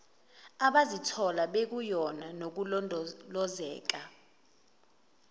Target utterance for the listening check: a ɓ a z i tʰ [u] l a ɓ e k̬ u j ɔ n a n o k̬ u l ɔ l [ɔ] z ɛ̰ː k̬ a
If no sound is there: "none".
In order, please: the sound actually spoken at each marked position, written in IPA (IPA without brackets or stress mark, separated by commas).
ɔ, ɔ